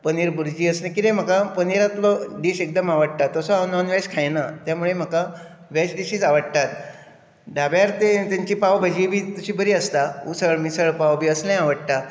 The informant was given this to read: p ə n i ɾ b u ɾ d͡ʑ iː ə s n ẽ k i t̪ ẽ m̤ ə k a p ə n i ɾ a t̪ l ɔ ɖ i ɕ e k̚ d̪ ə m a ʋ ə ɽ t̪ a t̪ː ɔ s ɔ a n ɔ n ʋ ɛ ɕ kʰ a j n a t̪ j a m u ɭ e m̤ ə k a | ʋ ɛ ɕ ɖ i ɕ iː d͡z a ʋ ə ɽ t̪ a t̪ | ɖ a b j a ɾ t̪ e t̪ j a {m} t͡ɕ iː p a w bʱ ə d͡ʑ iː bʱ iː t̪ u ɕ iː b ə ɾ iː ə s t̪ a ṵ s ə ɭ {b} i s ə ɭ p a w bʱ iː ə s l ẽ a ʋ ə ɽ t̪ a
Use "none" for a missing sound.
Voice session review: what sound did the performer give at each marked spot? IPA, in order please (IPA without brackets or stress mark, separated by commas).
ɲ, m